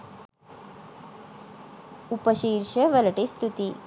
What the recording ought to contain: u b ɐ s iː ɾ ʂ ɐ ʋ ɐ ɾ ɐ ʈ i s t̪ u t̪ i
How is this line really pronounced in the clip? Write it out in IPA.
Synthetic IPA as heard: u p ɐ ʃ iː ɾ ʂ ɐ ʋ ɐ l ɐ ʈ i s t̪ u t̪ i